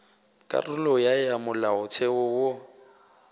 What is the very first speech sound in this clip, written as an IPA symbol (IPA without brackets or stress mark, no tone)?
kʼ